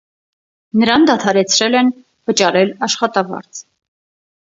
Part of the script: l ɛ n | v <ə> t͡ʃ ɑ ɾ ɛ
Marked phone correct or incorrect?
correct